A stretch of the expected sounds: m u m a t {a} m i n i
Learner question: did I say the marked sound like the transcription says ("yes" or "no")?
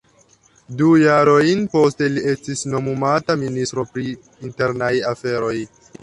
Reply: yes